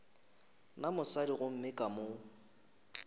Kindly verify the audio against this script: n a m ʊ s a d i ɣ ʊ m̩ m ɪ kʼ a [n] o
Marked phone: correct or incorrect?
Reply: incorrect